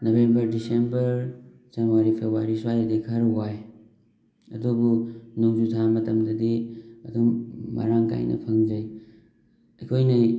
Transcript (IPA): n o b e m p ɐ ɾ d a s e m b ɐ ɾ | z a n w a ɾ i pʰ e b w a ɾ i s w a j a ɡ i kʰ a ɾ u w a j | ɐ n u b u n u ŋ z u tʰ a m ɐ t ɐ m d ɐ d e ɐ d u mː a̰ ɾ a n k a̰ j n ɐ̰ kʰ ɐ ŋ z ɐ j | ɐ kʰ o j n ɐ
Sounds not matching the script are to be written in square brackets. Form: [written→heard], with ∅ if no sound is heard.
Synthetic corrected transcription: n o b e m [p→b] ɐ ɾ d [a→i] s e m b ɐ ɾ | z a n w a ɾ i pʰ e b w a ɾ i s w a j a [ɡ→d] i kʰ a ɾ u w a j | ɐ [n→d] u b u n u ŋ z u tʰ a m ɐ t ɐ m d ɐ d [e→i] ɐ d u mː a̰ ɾ a [n→ŋ] k a̰ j n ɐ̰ [kʰ→pʰ] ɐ ŋ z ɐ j | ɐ kʰ o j n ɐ